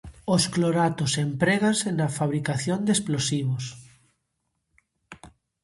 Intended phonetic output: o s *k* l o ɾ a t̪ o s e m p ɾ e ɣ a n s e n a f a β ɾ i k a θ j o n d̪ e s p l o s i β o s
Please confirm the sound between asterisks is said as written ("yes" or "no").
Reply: yes